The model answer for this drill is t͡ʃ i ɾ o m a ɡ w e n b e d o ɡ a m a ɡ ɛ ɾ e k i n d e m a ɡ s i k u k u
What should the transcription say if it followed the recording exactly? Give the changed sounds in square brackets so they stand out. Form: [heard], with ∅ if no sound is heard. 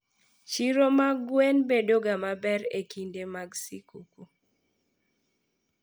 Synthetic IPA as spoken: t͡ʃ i ɾ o m a ɡ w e n b e d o ɡ a m a [b] ɛ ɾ e k i n d e m a ɡ s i k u k u